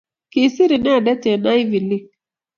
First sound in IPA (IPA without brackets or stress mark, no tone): k